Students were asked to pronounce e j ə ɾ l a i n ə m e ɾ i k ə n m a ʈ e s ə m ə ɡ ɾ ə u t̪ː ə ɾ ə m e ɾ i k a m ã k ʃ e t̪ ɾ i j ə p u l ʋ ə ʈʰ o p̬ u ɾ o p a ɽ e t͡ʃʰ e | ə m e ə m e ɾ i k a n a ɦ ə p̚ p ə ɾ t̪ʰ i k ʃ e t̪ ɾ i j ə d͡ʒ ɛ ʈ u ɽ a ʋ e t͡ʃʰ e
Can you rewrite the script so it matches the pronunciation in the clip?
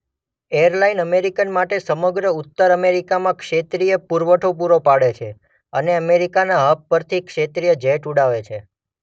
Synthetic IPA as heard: e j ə ɾ l a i n ə m e ɾ i k ə n m a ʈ e s ə m ə ɡ ɾ ə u t̪ː ə ɾ ə m e ɾ i k a m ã k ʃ e t̪ ɾ i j ə p u ɾ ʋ ə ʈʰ o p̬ u ɾ o p a ɽ e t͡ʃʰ e | ə n e ə m e ɾ i k a n a ɦ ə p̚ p ə ɾ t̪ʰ i k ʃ e t̪ ɾ i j ə d͡ʒ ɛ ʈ u ɽ a ʋ e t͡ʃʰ e